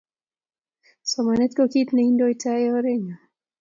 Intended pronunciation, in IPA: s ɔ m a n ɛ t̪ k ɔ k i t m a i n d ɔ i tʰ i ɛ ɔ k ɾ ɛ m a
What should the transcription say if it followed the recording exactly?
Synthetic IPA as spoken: s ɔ m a n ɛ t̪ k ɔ k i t n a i n d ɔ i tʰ a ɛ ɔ ɾ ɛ ɲ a